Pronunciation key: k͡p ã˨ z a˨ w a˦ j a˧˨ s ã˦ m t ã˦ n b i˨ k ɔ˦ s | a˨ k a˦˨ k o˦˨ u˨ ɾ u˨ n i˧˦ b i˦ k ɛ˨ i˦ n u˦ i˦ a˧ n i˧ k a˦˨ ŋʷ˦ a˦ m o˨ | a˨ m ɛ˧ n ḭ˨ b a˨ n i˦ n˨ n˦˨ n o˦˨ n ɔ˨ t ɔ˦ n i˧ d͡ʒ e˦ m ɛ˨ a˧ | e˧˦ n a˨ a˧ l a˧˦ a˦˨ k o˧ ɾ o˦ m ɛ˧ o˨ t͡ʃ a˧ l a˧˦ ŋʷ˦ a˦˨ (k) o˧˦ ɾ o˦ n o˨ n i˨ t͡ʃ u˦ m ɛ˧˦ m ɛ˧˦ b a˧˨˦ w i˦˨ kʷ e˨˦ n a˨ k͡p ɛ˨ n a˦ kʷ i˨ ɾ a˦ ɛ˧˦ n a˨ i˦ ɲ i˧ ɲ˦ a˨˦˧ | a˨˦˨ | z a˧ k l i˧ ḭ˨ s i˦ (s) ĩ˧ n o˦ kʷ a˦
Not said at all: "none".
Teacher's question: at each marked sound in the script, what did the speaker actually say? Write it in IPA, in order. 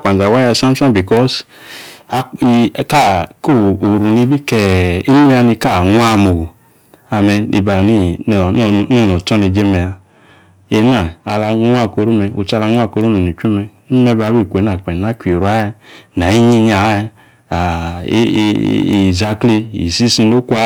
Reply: k, s

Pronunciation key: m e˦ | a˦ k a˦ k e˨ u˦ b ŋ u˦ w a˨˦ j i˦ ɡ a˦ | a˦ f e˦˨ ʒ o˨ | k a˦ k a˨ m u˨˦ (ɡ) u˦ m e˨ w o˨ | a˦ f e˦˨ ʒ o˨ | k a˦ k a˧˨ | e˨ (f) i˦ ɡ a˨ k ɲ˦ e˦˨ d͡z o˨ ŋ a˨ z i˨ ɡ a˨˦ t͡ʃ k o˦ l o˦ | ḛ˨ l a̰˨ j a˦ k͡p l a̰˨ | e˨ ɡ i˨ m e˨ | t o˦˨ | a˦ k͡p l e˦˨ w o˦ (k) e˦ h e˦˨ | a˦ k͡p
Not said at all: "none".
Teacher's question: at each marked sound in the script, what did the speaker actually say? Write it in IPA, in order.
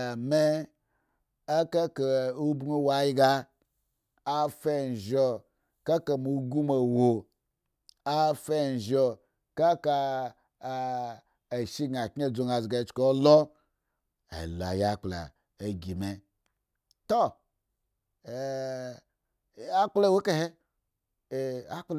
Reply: ɡ, ʃ, k

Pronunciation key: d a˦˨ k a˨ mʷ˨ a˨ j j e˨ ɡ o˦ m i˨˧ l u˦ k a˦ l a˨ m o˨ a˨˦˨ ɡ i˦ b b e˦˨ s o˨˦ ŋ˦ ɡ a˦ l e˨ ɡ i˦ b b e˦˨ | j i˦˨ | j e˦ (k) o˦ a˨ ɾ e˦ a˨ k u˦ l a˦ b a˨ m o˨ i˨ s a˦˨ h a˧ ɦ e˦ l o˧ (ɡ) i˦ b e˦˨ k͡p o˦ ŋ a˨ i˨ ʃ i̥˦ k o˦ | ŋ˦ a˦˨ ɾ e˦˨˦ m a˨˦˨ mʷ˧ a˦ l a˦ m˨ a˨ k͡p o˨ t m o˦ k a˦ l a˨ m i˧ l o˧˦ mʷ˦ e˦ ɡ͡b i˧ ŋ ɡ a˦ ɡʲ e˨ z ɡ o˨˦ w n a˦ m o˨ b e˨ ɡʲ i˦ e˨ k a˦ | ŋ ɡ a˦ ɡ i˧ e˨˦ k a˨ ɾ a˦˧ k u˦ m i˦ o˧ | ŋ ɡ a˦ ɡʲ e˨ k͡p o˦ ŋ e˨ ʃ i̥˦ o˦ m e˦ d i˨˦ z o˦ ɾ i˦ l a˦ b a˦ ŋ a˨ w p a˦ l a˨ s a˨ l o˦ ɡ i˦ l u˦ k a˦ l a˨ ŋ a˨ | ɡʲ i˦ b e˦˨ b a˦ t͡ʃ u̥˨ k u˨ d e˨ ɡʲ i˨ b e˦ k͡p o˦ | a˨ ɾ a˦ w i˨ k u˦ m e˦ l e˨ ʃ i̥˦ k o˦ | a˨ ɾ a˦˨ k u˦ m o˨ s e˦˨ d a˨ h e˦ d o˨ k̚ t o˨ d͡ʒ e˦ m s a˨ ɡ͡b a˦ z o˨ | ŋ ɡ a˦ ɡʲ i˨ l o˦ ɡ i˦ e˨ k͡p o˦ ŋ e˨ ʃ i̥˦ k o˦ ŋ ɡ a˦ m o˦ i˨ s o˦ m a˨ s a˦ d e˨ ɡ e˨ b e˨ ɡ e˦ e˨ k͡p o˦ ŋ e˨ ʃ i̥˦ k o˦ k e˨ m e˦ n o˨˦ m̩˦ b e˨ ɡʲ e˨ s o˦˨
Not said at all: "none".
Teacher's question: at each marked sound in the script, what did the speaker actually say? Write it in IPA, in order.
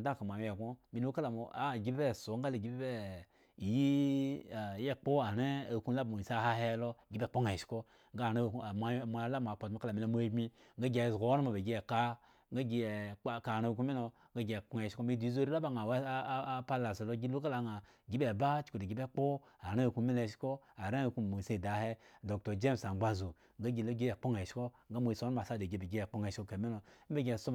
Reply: k͡p, ɡ

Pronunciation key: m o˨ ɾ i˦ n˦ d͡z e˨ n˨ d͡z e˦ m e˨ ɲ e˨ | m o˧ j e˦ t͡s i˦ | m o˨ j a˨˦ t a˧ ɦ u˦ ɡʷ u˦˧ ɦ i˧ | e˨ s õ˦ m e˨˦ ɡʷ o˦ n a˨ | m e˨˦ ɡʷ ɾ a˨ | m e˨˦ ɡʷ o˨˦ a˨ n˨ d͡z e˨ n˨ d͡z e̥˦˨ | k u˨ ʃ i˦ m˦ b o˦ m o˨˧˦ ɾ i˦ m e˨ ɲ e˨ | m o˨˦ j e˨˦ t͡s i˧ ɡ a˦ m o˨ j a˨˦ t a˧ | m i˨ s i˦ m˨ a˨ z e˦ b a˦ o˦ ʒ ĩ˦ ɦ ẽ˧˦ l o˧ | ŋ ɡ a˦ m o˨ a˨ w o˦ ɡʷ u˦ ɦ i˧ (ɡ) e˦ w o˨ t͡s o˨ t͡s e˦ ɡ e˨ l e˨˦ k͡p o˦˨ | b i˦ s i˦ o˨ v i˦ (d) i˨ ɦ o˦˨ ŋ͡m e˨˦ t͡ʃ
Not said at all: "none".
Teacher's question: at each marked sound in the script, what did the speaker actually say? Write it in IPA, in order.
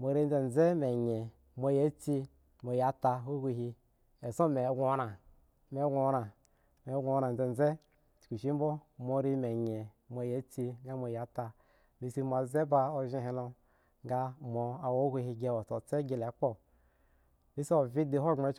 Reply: ɡ, d

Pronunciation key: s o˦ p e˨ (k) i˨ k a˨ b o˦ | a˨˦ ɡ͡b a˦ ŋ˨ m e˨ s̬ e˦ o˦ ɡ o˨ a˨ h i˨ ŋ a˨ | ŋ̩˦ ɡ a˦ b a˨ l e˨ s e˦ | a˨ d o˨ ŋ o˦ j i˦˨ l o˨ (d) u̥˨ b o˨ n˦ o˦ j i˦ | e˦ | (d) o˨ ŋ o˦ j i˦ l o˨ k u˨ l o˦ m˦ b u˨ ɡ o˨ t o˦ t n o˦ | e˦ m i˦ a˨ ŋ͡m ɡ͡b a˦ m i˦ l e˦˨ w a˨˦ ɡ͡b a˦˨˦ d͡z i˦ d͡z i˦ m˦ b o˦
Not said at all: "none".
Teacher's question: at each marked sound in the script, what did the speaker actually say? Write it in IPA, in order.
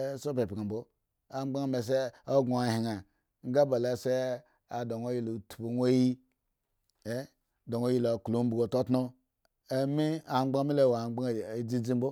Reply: p, t, d

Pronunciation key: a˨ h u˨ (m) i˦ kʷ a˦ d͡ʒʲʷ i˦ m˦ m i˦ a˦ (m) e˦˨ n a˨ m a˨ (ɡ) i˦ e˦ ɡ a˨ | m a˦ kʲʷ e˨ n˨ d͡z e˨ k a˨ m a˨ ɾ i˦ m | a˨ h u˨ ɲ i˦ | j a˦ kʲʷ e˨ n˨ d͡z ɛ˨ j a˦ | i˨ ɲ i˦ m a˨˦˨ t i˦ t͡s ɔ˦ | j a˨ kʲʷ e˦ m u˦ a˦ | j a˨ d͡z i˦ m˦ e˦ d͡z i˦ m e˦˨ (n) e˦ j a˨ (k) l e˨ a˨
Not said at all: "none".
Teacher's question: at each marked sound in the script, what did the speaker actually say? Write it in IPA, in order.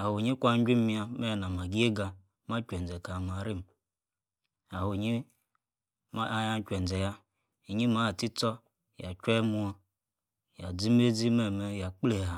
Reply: ɲ, m, ɡ, m, k͡p

